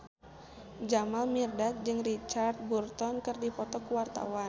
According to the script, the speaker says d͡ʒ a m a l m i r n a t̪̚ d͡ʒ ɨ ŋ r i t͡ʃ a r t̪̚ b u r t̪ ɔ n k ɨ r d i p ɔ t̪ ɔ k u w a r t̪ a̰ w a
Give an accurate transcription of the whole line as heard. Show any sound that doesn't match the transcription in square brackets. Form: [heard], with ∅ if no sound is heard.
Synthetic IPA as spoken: d͡ʒ a m a l m i r [d] a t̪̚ d͡ʒ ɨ ŋ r i t͡ʃ a r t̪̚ b u r t̪ ɔ n k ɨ r d i p ɔ t̪ ɔ k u w a r t̪ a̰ w a